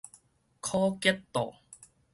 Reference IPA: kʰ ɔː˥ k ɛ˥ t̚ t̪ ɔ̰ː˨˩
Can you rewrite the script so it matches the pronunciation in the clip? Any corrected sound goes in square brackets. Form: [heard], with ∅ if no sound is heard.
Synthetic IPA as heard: kʰ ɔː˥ k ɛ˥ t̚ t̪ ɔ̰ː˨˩